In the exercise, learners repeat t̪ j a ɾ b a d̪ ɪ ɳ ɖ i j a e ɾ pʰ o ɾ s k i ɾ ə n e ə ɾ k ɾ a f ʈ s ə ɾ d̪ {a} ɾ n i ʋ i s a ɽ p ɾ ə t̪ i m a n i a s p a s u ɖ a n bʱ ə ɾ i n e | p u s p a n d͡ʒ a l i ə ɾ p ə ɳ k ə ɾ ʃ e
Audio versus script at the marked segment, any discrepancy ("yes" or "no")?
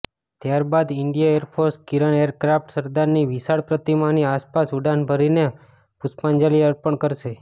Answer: no